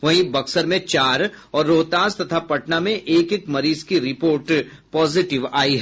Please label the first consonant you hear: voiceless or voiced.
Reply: voiced